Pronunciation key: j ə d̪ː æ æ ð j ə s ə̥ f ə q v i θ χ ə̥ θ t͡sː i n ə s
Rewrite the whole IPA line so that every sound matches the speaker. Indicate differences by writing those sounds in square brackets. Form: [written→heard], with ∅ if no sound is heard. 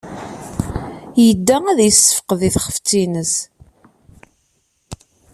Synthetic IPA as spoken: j ə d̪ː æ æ ð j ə s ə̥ f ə q [v→ð] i θ χ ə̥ [θ→f] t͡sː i n ə s